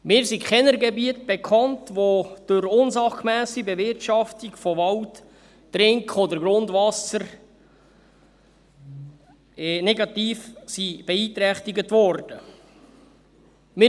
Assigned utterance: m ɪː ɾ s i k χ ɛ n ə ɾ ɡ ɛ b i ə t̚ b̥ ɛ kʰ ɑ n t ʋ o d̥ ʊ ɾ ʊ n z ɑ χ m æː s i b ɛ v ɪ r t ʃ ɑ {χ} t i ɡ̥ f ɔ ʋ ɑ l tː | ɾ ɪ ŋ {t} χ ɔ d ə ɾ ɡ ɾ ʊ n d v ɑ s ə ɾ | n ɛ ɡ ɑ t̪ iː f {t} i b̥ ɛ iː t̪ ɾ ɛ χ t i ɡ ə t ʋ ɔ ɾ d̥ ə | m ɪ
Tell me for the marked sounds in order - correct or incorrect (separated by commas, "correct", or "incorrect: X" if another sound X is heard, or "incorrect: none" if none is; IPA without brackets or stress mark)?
incorrect: f, incorrect: k, incorrect: s